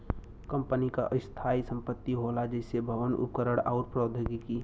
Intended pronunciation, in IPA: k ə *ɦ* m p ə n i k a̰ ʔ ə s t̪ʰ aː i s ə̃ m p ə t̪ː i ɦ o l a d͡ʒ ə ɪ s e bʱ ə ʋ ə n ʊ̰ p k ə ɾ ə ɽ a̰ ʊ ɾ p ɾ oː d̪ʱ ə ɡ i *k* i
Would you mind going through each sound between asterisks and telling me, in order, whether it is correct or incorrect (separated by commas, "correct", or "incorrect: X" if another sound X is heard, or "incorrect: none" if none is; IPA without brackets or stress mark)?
incorrect: none, correct